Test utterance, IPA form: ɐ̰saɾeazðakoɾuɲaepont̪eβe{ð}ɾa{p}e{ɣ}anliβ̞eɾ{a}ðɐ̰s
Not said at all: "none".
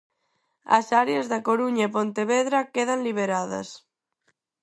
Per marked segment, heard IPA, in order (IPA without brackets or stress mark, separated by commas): ð, k, ð, a